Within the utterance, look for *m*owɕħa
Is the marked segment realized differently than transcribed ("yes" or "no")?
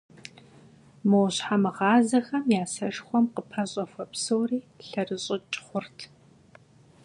no